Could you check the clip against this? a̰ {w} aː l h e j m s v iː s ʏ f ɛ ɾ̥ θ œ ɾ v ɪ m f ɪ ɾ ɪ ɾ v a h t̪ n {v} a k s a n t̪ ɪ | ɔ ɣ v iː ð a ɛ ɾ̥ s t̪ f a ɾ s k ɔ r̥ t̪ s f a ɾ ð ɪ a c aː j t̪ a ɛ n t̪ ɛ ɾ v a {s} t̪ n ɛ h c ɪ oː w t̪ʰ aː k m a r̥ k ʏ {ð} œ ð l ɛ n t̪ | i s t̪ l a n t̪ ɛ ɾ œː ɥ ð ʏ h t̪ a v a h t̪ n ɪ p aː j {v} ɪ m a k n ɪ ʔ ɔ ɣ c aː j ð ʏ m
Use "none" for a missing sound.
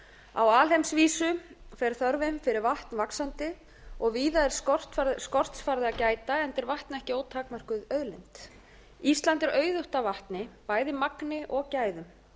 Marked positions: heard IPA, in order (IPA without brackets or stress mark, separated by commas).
w, v, h, ð, ð